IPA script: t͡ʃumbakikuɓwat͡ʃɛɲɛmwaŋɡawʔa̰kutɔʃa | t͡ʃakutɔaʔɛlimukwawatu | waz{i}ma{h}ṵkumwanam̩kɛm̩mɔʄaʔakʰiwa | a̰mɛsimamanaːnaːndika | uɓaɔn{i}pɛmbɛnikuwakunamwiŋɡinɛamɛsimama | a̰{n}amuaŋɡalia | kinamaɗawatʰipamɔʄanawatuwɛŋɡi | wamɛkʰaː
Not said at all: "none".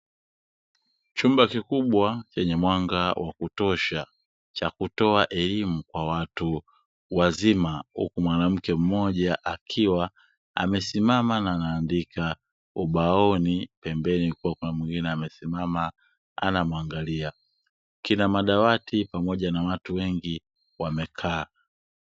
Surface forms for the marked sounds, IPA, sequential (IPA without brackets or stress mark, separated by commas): i, h, i, n